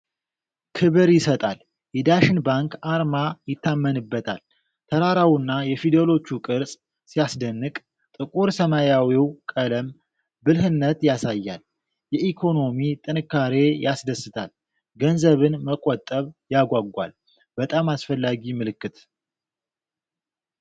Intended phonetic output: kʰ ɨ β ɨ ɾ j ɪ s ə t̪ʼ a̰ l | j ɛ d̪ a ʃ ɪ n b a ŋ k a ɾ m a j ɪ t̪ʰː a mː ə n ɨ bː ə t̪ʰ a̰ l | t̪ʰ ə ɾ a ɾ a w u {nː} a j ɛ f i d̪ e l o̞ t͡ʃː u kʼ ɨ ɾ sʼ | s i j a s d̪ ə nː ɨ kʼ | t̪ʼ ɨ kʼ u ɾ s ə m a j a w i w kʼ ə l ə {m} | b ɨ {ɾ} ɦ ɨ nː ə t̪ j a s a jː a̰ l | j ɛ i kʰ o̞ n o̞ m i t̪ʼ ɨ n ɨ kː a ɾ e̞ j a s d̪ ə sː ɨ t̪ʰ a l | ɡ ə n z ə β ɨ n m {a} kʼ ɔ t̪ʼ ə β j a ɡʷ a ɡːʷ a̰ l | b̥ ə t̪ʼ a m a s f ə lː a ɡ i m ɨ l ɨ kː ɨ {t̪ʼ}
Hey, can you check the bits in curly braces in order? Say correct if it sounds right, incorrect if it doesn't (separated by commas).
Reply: correct, correct, incorrect, incorrect, incorrect